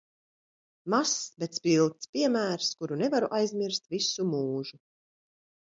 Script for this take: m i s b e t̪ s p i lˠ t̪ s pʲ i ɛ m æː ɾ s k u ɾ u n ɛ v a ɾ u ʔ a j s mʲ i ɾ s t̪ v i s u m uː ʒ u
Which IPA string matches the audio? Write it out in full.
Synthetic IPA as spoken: m a s b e t̪ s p i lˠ t̪ s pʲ i ɛ m æː ɾ s k u ɾ u n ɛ v a ɾ u ʔ a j z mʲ i ɾ s t̪ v i s u m uː ʒ u

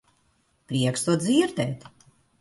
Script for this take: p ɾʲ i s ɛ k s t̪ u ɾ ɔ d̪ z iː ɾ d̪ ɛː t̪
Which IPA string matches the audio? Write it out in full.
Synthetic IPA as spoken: p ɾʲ i ɛ k s t̪ u ɔ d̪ z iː ɾ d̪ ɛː t̪

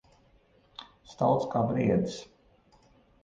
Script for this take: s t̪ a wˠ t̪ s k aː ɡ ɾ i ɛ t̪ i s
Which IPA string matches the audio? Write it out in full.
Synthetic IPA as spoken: s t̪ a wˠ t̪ s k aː b ɾ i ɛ d̪ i s

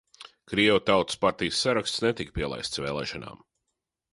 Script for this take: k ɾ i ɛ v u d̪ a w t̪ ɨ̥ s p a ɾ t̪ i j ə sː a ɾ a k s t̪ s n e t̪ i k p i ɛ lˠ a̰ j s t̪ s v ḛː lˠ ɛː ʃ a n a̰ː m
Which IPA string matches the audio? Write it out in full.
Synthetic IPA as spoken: k ɾ i ɛ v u t̪ a w t̪ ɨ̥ s p a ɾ t̪ i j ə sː a ɾ a k s t̪ s n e t̪ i k p i ɛ lˠ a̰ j s t̪ s v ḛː lˠ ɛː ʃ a n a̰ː m

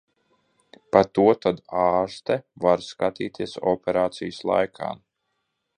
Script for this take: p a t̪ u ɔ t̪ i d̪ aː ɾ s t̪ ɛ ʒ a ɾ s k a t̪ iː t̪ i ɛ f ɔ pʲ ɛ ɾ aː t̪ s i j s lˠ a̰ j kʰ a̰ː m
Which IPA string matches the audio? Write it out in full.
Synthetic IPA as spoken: p a t̪ u ɔ t̪ a d̪ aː ɾ s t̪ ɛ v a ɾ s k a t̪ iː t̪ i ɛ s ɔ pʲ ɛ ɾ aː t̪ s i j s lˠ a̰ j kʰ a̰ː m

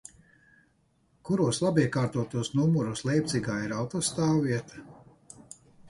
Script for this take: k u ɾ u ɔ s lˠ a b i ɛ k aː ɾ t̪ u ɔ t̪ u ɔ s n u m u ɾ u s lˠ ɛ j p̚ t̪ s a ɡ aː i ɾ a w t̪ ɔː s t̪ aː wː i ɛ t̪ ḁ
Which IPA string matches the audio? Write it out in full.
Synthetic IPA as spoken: k u ɾ u ɔ s lˠ a b i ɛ k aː ɾ t̪ u ɔ t̪ u ɔ s n u m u ɾ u s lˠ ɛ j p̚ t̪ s i ɡ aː i ɾ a w t̪ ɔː s t̪ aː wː i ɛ t̪ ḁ

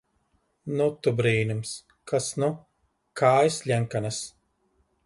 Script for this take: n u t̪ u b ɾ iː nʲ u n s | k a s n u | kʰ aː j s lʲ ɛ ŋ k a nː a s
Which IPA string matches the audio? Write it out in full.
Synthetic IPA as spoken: n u t̪ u b ɾ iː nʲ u m s | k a s n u | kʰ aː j s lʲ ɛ ŋ k a n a s

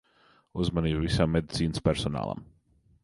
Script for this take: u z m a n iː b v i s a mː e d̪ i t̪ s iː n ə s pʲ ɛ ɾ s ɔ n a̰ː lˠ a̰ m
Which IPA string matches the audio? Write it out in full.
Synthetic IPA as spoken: u z m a n iː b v i s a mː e d̪ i t̪ s iː n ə s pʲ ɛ ɾ s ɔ n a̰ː lˠ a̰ m

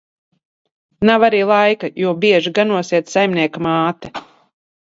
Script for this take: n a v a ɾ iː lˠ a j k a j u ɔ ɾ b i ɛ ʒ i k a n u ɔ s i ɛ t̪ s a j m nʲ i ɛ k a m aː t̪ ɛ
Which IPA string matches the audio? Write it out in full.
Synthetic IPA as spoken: n a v a ɾ iː lˠ a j k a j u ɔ b i ɛ ʒ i ɡ a n u ɔ s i ɛ t̪ s a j m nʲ i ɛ k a m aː t̪ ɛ

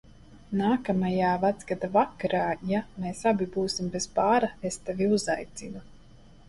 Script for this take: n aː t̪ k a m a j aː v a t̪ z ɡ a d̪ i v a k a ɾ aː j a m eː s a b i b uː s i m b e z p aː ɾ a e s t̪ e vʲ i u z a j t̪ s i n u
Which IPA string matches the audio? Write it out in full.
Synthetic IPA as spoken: n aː k a m a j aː v a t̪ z ɡ a d̪ a v a k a ɾ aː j a m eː s a b i b uː s i m b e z p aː ɾ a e s t̪ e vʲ i u z a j t̪ s i n u

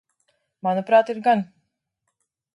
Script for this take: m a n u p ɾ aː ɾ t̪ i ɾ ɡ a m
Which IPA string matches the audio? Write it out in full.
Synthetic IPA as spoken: m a n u p ɾ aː t̪ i ɾ ɡ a n

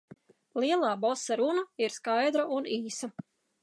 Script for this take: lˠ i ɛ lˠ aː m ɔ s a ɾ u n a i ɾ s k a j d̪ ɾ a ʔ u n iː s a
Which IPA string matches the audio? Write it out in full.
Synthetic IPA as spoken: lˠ i ɛ lˠ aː b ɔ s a ɾ u n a i ɾ s k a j d̪ ɾ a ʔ u n iː s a

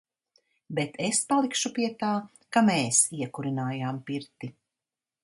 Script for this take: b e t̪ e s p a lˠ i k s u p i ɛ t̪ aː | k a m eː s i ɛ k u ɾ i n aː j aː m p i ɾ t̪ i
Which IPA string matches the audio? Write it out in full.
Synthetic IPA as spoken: b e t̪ e s p a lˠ i k ʃ u p i ɛ t̪ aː | k a m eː s i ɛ k u ɾ i n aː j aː m p i ɾ t̪ i

